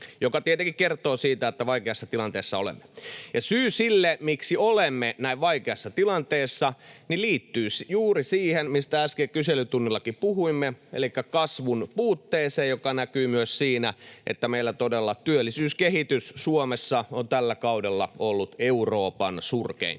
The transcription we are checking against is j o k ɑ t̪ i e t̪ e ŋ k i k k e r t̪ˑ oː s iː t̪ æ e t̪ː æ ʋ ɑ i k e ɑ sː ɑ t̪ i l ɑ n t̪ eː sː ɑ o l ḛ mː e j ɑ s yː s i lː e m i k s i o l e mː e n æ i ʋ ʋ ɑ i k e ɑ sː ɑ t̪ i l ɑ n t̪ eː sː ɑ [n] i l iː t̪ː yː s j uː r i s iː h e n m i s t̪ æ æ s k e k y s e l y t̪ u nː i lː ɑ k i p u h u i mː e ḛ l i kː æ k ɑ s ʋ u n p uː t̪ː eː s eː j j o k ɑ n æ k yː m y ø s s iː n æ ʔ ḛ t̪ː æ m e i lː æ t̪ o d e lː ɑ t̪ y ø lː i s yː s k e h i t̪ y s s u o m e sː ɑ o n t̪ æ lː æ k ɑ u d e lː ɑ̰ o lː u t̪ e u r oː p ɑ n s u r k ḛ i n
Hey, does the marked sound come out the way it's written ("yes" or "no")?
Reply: yes